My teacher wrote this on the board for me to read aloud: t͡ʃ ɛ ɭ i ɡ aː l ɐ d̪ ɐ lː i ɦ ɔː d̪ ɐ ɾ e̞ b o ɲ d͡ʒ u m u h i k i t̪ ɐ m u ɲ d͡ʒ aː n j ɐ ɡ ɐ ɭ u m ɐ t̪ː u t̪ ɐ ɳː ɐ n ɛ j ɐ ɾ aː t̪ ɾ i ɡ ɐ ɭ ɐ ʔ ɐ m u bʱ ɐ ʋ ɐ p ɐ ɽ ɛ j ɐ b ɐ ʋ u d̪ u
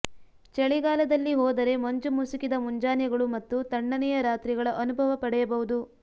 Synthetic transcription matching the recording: t͡ʃ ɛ ɭ i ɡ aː l ɐ d̪ ɐ lː i ɦ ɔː d̪ ɐ ɾ e̞ m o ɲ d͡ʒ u m u s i k i d̪ ɐ m u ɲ d͡ʒ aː n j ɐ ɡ ɐ ɭ u m ɐ t̪ː u t̪ ɐ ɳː ɐ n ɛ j ɐ ɾ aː t̪ ɾ i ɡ ɐ ɭ ɐ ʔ ɐ n u bʱ ɐ ʋ ɐ p ɐ ɽ ɛ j ɐ b ɐ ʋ u d̪ u